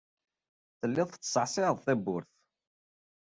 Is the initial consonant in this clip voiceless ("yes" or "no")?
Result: yes